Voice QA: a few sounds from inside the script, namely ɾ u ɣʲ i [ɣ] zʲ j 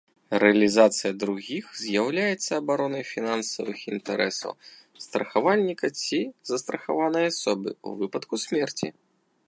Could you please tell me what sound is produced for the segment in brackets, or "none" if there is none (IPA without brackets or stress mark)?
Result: x